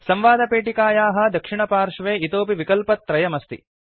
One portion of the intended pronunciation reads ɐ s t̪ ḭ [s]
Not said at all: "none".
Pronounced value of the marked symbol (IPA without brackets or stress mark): none